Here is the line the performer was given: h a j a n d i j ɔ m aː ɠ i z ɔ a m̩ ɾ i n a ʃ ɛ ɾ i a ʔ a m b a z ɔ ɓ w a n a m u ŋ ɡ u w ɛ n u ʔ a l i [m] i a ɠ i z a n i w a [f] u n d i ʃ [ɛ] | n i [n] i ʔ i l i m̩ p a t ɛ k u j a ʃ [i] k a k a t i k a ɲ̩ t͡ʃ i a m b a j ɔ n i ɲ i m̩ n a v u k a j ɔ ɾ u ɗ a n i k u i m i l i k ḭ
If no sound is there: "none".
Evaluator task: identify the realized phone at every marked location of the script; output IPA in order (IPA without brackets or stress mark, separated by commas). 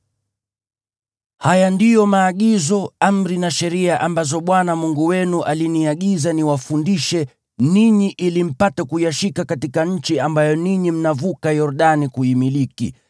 n, f, ɛ, ɲ, i